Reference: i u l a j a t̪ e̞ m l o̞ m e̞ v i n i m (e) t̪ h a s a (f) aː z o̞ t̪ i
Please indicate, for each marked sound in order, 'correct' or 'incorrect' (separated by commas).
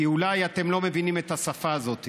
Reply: correct, correct